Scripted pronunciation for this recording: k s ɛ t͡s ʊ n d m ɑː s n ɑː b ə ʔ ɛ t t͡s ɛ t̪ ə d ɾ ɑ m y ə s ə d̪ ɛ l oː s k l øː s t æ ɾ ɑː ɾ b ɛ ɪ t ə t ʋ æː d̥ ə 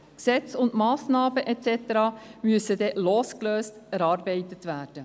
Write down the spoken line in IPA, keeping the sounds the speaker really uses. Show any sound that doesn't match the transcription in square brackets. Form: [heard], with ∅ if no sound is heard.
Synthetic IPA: k s ɛ t͡s ʊ n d m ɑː s n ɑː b ə ʔ ɛ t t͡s ɛ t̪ ə [∅] ɾ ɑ m y ə s ə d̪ ɛ l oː s k l øː s t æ ɾ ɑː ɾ b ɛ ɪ t ə t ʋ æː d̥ ə